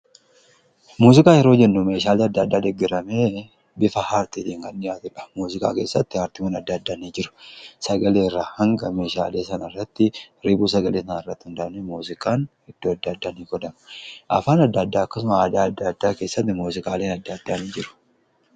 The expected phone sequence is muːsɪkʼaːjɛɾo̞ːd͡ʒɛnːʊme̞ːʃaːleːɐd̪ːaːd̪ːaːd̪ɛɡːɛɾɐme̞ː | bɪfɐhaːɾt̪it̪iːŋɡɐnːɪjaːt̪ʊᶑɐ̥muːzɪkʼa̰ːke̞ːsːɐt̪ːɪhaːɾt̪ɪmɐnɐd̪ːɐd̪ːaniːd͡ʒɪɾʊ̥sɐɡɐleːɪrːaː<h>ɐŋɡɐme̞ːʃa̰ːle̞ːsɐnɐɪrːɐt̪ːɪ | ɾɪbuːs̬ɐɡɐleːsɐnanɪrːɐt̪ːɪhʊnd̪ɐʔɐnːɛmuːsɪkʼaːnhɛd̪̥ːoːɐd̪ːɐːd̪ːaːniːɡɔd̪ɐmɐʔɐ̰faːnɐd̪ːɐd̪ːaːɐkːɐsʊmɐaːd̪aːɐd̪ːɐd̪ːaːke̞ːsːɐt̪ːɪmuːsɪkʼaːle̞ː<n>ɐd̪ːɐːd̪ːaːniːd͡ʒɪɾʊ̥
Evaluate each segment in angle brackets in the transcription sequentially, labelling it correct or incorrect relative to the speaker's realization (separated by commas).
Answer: correct, correct